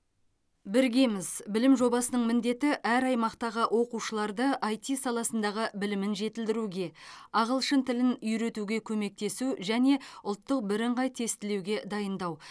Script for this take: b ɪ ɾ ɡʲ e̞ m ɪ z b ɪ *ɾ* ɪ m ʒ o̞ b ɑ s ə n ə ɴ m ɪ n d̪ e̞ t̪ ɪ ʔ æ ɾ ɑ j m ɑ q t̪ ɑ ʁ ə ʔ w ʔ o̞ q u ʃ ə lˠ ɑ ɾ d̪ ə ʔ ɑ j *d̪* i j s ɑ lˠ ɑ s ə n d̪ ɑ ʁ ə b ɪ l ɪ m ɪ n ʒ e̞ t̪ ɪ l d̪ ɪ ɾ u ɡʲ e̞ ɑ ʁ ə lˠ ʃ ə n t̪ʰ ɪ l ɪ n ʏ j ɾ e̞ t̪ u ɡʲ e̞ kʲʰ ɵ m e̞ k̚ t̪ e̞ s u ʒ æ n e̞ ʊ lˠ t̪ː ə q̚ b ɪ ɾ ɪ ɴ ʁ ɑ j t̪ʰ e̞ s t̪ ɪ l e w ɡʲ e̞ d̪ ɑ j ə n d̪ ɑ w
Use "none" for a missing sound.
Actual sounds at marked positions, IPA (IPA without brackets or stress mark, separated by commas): l, t̪